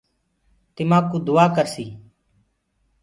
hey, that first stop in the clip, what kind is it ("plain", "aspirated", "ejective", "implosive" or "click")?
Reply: plain